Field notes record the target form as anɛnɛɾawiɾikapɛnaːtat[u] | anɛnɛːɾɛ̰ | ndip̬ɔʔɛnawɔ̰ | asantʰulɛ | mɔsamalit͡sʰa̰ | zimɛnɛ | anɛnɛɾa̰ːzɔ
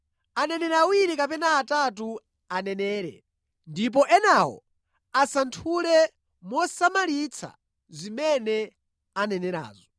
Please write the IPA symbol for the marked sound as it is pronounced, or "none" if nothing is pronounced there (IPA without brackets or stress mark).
u